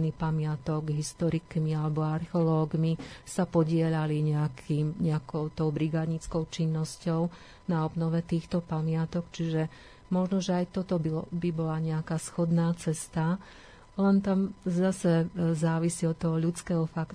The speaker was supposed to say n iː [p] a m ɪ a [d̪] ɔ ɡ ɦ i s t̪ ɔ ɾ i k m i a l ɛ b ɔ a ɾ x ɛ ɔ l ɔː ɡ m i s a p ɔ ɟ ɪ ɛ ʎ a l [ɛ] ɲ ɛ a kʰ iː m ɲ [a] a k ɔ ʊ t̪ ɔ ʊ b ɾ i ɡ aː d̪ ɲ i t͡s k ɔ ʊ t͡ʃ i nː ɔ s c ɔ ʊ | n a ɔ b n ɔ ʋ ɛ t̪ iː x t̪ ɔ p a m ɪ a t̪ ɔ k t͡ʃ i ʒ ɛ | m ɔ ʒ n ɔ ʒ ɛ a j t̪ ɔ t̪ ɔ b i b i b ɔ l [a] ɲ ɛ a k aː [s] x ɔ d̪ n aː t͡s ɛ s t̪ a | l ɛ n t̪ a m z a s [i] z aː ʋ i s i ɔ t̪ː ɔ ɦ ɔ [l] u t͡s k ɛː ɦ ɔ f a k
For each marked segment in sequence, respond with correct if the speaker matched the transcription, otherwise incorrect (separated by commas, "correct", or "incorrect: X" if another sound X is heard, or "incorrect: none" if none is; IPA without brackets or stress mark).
correct, incorrect: t̪, incorrect: i, incorrect: ɛ, correct, correct, incorrect: ɛ, incorrect: ʎ